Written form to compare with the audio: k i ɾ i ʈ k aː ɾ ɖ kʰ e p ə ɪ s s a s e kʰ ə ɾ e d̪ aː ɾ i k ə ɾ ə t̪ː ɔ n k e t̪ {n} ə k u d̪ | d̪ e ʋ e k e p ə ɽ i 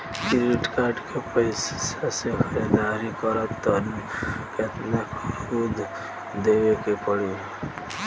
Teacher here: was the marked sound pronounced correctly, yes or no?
yes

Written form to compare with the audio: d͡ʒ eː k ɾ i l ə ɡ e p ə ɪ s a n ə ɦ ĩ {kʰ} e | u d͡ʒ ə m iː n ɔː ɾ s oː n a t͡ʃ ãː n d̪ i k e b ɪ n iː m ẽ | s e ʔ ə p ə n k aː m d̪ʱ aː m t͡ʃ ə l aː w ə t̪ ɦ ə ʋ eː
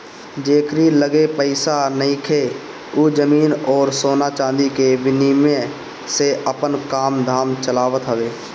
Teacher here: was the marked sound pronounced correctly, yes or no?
yes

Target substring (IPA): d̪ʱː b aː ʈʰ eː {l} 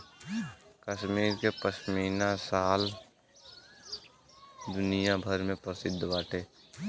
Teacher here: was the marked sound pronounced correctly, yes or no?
no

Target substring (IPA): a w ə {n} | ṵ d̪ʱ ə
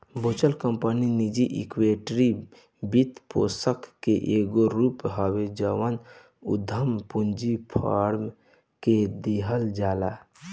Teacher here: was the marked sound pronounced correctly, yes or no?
yes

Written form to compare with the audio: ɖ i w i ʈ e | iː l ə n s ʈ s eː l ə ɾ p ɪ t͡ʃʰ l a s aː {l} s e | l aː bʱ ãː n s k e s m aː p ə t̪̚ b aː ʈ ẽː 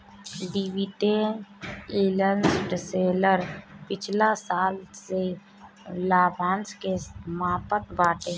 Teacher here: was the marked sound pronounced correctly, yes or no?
yes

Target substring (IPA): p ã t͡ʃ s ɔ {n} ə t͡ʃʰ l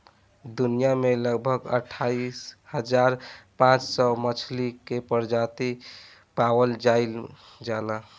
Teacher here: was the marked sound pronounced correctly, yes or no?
no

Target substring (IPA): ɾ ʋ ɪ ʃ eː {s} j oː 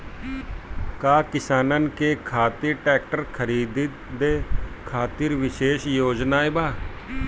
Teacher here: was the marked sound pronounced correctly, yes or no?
no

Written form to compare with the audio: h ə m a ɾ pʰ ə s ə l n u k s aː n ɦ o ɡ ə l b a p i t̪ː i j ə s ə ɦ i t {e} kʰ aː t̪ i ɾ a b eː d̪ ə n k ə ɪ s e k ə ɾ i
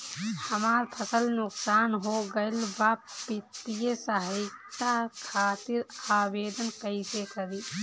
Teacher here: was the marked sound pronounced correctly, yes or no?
no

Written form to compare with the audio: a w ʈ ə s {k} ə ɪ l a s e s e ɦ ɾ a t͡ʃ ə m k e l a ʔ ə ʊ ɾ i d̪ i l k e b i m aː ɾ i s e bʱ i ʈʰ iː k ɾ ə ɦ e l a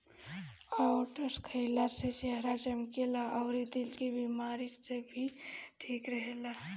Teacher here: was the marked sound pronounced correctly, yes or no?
no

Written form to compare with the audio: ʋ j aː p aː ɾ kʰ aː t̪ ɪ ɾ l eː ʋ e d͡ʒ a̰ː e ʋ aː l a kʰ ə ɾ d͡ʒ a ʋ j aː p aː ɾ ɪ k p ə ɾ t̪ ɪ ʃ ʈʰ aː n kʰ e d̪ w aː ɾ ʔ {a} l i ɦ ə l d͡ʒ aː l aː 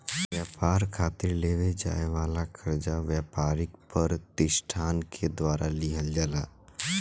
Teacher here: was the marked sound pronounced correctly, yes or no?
yes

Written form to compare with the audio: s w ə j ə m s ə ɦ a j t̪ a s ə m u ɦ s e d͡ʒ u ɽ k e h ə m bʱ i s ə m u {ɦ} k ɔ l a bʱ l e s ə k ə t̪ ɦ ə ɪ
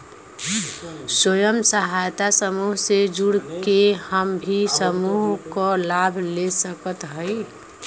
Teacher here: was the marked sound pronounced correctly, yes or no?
yes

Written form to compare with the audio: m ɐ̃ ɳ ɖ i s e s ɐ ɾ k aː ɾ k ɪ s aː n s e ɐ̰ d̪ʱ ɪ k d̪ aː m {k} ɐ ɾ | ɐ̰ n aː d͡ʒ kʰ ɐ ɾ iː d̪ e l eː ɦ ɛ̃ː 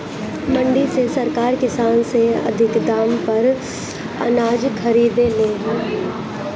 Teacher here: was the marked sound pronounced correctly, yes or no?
no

